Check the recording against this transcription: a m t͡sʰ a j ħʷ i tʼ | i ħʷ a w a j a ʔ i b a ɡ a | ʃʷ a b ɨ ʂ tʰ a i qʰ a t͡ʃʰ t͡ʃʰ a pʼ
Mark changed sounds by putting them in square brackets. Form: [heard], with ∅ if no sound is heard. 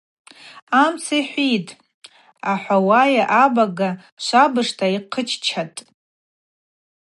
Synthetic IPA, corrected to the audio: a m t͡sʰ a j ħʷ i tʼ | [a] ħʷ a w a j a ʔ [a] b a ɡ a | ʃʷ a b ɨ ʂ tʰ a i qʰ [ə] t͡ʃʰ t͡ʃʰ a [tʼ]